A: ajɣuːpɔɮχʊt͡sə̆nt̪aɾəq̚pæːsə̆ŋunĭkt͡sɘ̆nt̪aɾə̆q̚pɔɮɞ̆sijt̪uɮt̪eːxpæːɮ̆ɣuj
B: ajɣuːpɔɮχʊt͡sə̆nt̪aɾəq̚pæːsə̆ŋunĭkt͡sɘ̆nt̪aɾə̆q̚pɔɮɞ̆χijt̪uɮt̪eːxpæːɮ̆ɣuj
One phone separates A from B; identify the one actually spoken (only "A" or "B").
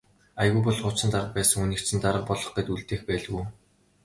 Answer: B